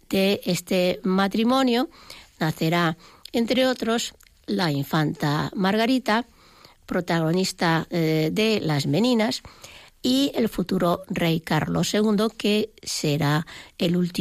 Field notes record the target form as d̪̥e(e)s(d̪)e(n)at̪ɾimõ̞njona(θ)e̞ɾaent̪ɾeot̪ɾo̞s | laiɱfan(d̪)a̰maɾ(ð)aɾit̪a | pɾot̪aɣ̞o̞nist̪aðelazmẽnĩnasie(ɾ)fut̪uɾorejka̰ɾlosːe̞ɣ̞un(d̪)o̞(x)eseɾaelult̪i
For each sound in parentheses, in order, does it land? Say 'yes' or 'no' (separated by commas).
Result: yes, no, no, yes, no, no, no, yes, no